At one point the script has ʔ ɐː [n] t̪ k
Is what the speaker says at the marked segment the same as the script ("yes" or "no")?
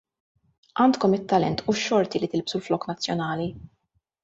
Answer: yes